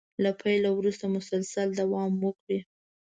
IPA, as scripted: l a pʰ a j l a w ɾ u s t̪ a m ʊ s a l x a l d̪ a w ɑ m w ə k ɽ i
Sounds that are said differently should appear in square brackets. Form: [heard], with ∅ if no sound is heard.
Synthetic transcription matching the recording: l a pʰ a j l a w ɾ u s t̪ a m ʊ s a l [s] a l d̪ a w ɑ m w ə k ɽ i